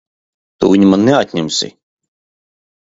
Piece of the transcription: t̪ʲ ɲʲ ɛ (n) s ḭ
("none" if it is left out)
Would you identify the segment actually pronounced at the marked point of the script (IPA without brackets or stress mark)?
m